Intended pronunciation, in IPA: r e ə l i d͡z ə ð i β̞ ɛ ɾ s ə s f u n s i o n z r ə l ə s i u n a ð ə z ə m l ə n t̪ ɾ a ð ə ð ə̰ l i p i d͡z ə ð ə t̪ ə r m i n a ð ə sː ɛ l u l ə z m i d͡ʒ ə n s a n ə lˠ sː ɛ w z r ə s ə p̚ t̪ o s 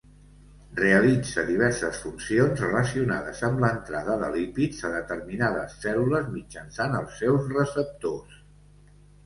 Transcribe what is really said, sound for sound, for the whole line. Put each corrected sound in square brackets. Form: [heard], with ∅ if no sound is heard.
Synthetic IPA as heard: r e ə l i d͡z ə ð i β̞ ɛ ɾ s ə s f u n s i o n z r ə l ə s i u n a ð ə z ə m l ə n t̪ ɾ a ð ə ð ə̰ l i p i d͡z ə ð ə t̪ ə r m i n a ð ə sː ɛ l u l ə z m i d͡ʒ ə n s a n ə lˠ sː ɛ w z r ə s ə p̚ t̪ o s